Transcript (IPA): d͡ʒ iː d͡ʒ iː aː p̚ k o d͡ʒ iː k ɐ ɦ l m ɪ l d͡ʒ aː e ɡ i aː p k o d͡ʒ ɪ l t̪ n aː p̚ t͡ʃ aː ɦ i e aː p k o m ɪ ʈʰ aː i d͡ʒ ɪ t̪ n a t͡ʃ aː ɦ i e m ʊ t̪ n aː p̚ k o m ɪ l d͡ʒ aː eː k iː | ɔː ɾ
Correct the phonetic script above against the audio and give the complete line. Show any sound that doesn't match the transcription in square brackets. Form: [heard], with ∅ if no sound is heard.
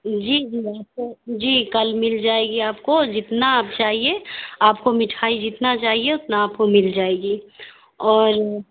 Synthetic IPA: d͡ʒ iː d͡ʒ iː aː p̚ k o d͡ʒ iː k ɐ [∅] l m ɪ l d͡ʒ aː e ɡ i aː p k o d͡ʒ ɪ [∅] t̪ n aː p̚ t͡ʃ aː ɦ i e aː p k o m ɪ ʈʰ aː i d͡ʒ ɪ t̪ n a t͡ʃ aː ɦ i e [∅] ʊ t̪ n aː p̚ k o m ɪ l d͡ʒ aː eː [ɡ] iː | ɔː ɾ